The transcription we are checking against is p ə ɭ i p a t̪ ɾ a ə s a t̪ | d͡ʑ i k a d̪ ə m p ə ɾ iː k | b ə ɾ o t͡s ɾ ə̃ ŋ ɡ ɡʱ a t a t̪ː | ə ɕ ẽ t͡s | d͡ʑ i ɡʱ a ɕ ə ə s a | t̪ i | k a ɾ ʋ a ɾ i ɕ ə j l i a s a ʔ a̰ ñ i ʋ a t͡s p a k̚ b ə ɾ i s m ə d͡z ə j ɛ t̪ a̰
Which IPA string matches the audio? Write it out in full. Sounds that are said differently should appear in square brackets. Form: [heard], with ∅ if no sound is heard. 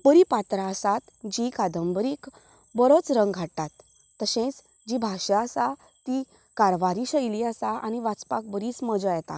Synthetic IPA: p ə [ɾ] i p a t̪ ɾ a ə s a t̪ | d͡ʑ i k a d̪ ə m [b] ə ɾ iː k | b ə ɾ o t͡s ɾ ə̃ ŋ ɡ ɡʱ a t a t̪ː | ə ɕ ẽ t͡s | d͡ʑ i [bʱ] a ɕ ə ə s a | t̪ i | k a ɾ ʋ a ɾ i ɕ ə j l i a s a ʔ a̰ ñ i ʋ a t͡s p a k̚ b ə ɾ i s m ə d͡z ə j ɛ t̪ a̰